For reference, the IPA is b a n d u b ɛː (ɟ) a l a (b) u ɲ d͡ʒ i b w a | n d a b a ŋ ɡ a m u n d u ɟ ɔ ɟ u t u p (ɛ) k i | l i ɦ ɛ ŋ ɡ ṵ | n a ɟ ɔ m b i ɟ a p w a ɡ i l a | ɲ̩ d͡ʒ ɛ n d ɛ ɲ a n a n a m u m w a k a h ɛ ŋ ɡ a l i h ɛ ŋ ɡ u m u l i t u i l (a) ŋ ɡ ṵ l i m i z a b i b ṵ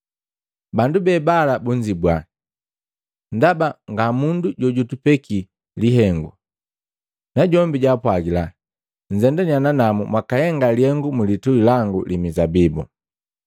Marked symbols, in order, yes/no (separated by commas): no, yes, yes, yes